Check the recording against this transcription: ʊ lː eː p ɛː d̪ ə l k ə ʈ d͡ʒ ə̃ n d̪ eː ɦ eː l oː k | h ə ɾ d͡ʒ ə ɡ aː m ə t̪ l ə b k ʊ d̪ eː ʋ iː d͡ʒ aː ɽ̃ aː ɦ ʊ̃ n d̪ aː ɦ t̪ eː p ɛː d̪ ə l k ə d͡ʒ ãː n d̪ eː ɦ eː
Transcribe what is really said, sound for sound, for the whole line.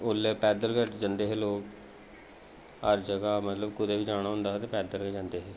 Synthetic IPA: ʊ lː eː p ɛː d̪ ə l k ə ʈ d͡ʒ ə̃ n d̪ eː ɦ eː l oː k | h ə ɾ d͡ʒ ə ɡ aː m ə t̪ l ə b k ʊ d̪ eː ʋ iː d͡ʒ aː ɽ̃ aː ɦ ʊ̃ n d̪ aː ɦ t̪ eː p ɛː d̪ ə l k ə d͡ʒ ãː n d̪ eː ɦ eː